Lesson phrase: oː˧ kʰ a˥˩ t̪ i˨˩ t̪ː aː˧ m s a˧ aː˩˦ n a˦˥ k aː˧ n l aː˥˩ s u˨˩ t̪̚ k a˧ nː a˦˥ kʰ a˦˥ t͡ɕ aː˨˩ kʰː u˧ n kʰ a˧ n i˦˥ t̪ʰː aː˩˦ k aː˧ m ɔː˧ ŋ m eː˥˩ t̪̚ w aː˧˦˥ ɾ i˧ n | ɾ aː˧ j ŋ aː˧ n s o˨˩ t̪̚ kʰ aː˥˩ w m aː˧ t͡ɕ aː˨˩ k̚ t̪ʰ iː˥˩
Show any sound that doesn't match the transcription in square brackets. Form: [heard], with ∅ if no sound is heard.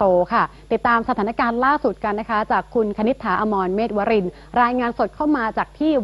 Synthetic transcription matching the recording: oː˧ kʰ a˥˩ t̪ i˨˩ t̪ː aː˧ m s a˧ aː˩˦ n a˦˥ k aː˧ n l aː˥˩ s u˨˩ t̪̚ k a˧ nː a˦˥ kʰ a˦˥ t͡ɕ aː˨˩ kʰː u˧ n kʰ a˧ n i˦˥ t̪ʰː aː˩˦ [ʔ] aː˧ m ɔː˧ [n] m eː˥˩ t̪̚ w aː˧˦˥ ɾ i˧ n | ɾ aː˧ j ŋ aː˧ n s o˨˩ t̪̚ kʰ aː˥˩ w m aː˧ t͡ɕ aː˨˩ k̚ t̪ʰ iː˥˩

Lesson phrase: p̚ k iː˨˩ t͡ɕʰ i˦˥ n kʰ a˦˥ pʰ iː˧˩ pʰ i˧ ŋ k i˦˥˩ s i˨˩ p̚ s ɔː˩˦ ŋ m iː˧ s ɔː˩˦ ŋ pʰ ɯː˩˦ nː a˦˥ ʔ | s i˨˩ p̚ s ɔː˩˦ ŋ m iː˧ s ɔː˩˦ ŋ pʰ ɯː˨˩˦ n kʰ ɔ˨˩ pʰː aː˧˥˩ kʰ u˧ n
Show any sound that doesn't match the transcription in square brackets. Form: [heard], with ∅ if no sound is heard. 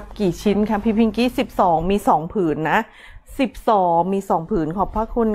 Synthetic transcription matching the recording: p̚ k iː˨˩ t͡ɕʰ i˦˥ n kʰ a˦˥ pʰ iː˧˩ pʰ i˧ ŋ k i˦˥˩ s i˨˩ p̚ s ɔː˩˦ ŋ m iː˧ s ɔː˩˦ ŋ pʰ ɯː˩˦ nː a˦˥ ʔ | s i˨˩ p̚ s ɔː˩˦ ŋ m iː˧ s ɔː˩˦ ŋ pʰ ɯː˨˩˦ n kʰ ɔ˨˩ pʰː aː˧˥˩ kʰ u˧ n

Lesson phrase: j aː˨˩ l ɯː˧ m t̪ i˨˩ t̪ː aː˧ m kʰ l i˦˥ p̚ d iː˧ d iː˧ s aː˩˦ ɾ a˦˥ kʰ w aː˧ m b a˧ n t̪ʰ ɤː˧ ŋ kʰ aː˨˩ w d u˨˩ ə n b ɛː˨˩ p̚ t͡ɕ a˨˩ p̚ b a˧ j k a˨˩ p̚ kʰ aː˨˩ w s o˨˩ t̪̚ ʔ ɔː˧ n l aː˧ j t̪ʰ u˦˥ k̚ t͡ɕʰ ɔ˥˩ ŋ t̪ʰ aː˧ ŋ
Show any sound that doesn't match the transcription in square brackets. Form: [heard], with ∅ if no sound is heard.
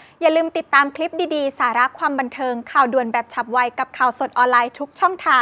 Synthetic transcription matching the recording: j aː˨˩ l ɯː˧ m t̪ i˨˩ t̪ː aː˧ m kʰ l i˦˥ p̚ d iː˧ d iː˧ s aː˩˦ ɾ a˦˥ kʰ w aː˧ m b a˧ n t̪ʰ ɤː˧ ŋ kʰ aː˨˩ w d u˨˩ ə n b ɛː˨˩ p̚ [t͡ɕʰ] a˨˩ p̚ [w] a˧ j k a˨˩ p̚ kʰ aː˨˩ w s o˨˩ t̪̚ ʔ ɔː˧ n l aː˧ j t̪ʰ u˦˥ k̚ t͡ɕʰ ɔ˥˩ ŋ t̪ʰ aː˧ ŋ

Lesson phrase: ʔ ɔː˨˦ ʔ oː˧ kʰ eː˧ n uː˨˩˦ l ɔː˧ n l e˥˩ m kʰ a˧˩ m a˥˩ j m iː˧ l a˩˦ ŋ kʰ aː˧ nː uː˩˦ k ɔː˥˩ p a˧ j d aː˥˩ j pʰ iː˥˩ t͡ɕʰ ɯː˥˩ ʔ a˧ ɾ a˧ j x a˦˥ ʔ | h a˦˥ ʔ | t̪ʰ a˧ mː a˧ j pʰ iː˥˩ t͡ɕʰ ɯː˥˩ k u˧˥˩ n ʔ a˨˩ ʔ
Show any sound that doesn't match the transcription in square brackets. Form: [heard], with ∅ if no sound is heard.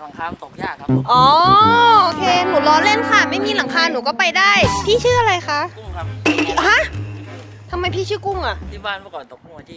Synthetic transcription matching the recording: ʔ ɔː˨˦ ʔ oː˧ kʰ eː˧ n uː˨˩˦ l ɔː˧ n l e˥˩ [n] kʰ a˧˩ m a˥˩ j m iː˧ l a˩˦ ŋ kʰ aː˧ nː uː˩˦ k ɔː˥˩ p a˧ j d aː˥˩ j pʰ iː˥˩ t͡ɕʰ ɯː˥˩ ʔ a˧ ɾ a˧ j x a˦˥ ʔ | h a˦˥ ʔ | t̪ʰ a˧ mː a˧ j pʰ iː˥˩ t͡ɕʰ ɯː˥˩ k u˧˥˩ [ŋ] ʔ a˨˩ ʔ

